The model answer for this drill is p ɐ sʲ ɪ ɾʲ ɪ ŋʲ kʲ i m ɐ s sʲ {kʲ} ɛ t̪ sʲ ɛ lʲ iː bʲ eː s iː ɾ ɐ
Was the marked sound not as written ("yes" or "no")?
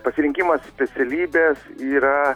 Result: yes